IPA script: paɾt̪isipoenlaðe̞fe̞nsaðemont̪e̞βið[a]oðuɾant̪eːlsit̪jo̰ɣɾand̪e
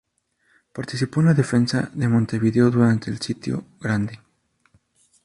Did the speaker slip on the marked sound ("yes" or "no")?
yes